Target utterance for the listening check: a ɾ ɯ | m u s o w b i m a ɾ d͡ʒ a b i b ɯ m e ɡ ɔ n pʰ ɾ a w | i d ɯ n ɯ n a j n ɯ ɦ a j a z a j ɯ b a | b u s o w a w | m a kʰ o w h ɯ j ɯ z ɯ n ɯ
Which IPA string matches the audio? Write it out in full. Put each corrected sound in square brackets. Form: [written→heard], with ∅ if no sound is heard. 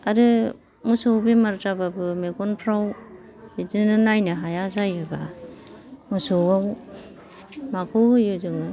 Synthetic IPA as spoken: a ɾ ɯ | m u s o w b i m a ɾ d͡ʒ a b [i→a] b ɯ m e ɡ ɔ n pʰ ɾ a w | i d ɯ n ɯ n a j n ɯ ɦ a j a z a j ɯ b a | [b→m] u s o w a w | m a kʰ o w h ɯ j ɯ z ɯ [n→ŋ] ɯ